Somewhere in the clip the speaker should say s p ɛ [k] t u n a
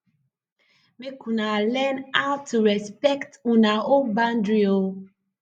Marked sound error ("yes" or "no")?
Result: no